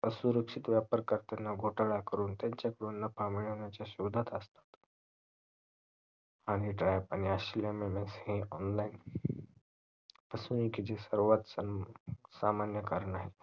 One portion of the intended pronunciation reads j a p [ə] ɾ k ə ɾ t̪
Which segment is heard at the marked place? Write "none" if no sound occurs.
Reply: ə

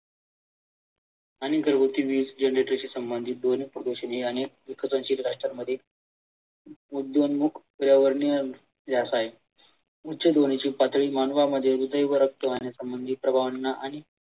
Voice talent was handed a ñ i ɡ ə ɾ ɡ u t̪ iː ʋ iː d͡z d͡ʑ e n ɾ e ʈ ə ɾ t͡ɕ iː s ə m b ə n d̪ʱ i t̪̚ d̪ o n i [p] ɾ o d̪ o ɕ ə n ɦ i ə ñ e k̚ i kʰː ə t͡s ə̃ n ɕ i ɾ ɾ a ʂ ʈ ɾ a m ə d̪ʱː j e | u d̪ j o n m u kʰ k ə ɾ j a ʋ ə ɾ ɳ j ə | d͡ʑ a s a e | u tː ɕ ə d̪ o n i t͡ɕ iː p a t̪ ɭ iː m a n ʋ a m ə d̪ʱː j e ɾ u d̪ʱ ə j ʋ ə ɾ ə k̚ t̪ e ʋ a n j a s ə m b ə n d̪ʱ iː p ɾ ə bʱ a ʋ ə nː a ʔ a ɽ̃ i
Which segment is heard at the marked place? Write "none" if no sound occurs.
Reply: p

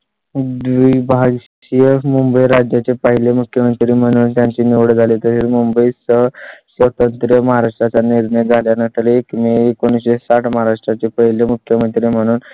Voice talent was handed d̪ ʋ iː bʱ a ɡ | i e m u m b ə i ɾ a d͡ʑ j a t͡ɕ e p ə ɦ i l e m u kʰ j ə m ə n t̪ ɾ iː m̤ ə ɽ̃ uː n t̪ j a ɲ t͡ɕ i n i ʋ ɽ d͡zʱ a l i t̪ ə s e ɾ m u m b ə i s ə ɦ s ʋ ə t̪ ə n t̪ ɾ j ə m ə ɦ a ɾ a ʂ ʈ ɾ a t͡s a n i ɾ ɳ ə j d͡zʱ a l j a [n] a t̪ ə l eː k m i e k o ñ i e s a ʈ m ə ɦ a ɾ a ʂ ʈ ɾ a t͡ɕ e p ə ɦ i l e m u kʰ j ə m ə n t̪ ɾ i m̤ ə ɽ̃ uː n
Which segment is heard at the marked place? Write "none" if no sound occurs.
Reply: n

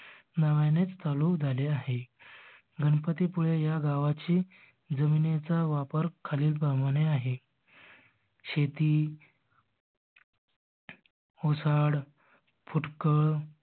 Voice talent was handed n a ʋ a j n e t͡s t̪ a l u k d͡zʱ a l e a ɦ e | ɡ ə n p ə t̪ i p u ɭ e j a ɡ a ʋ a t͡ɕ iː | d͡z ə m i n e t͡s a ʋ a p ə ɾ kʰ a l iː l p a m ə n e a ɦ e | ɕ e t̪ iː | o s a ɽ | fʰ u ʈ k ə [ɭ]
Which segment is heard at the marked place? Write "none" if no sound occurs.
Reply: ɭ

